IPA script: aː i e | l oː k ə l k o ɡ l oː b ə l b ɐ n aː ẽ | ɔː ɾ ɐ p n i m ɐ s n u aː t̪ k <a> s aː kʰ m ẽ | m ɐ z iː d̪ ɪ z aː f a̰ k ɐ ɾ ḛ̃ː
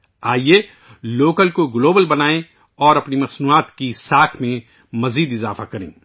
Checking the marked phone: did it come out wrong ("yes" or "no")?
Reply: yes